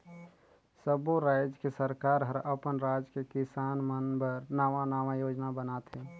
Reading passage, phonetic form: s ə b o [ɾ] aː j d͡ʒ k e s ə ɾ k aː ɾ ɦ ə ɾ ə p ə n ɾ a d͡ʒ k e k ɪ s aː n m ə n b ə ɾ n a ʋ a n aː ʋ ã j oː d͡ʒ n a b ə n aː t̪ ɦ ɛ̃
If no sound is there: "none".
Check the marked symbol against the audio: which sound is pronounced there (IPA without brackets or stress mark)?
ɾ